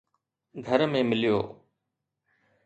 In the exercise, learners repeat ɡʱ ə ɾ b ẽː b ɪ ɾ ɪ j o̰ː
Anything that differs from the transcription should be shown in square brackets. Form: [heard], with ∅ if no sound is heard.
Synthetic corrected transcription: ɡʱ ə ɾ [m] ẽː [m] ɪ [l] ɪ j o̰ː

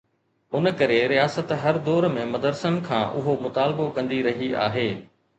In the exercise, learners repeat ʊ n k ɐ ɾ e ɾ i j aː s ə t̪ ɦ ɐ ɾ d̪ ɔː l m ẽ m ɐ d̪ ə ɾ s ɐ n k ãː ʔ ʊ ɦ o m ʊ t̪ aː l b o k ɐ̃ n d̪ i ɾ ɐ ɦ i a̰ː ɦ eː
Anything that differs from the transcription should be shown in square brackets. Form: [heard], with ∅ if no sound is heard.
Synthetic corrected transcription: ʊ n k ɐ ɾ e ɾ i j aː s ə t̪ ɦ ɐ ɾ d̪ ɔː [ɾ] m ẽ m ɐ d̪ ə ɾ s [ə] n [kʰ] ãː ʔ ʊ ɦ o m ʊ t̪ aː l b o k ɐ̃ n d̪ i ɾ ɐ ɦ i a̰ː ɦ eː

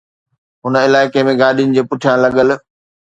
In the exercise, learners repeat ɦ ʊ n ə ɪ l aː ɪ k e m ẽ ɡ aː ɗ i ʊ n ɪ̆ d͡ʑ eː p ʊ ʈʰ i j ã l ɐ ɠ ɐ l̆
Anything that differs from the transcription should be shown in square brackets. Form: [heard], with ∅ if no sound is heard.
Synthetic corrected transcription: ɦ ʊ n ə ɪ l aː ɪ k e m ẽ ɡ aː ɗ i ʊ n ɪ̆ d͡ʑ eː p ʊ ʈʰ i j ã l ɐ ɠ [ə] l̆

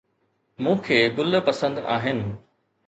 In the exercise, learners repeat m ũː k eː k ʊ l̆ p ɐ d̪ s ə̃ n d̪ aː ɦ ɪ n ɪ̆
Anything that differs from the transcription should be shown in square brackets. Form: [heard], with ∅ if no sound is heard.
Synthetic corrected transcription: m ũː [kʰ] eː [ɡ] ʊ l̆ p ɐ [∅] s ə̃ n d̪ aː ɦ ɪ n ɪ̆

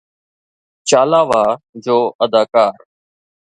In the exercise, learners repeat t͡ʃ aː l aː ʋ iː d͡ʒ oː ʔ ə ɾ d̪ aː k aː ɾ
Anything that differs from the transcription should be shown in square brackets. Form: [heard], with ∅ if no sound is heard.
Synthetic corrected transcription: t͡ʃ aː l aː ʋ [aː] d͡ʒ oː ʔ ə [∅] d̪ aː k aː ɾ

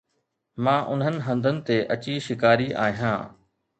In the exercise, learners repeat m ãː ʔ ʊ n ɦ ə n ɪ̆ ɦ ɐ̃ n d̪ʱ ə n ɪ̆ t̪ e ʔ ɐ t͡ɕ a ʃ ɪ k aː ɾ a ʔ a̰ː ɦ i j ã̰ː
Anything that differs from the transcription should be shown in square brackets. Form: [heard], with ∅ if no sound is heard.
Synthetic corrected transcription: m ãː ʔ ʊ n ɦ ə n ɪ̆ ɦ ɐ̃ n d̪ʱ ə n ɪ̆ t̪ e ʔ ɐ t͡ɕ [i] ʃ ɪ k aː ɾ [i] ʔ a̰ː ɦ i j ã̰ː

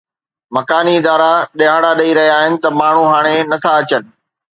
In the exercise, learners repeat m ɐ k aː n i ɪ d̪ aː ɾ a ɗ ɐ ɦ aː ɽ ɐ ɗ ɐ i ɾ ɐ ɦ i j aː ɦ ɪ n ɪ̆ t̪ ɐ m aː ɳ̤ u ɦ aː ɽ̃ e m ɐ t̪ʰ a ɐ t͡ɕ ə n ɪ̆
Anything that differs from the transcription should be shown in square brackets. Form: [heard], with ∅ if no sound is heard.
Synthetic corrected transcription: m ɐ k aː n i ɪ d̪ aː ɾ a ɗ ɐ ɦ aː ɽ [a] ɗ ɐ i ɾ ɐ ɦ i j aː ɦ ɪ n ɪ̆ t̪ ɐ m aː ɳ̤ u ɦ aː ɽ̃ e [n] ɐ t̪ʰ a ɐ t͡ɕ ə n ɪ̆

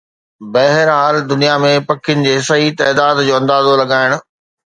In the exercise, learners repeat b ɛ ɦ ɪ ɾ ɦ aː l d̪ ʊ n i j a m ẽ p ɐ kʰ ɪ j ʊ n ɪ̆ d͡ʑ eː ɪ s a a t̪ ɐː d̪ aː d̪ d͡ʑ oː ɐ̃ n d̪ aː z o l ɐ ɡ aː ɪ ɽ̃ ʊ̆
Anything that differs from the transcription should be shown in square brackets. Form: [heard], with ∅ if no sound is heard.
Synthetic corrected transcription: b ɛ ɦ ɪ ɾ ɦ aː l d̪ ʊ n i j a m ẽ p ɐ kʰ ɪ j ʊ n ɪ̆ d͡ʑ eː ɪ s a [i] t̪ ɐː d̪ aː d̪ d͡ʑ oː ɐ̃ n d̪ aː z o l ɐ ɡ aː ɪ ɽ̃ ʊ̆

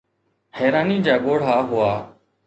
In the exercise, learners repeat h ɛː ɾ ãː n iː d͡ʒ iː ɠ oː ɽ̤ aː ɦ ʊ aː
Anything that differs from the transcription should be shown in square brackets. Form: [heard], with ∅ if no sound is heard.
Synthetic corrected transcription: h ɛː ɾ [aː] n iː d͡ʒ [aː] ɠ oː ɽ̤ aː ɦ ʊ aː

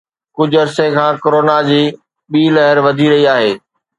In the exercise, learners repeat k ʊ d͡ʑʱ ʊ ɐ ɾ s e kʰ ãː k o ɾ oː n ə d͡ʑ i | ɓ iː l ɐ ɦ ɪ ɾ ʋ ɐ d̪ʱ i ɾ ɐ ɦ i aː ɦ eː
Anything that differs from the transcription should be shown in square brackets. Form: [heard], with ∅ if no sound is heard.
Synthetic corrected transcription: k ʊ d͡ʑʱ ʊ ɐ ɾ s e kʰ ãː k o ɾ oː n [a] d͡ʑ [iː] | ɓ iː l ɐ ɦ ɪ ɾ ʋ ɐ d̪ʱ i ɾ ɐ ɦ i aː ɦ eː

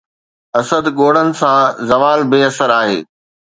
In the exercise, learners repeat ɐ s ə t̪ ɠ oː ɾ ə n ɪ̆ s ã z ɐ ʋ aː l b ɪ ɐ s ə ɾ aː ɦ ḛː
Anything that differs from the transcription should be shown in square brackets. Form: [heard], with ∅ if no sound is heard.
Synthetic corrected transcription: ɐ s ə [d̪] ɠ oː [ɽ] ə n ɪ̆ s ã z ɐ ʋ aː l b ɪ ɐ s ə ɾ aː ɦ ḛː

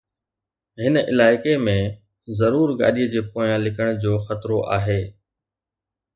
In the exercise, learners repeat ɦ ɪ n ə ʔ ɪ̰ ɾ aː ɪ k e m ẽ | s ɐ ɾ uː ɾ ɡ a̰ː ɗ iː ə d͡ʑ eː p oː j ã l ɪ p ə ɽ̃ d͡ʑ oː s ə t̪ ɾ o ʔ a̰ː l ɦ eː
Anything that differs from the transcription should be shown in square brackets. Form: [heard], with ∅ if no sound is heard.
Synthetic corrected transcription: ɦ ɪ n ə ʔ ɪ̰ [l] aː ɪ k e m ẽ | [z] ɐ ɾ uː ɾ ɡ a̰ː ɗ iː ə d͡ʑ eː p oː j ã l ɪ [k] ə ɽ̃ d͡ʑ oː [x] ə t̪ ɾ o ʔ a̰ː [∅] ɦ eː

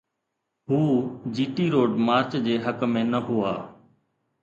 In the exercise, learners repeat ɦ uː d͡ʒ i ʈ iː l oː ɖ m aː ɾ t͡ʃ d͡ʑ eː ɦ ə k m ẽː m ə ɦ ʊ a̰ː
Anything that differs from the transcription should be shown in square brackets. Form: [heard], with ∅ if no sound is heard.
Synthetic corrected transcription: ɦ uː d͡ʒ [iː] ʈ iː [ɾ] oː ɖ m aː ɾ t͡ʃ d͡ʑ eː ɦ ə k m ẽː [n] ə ɦ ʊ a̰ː

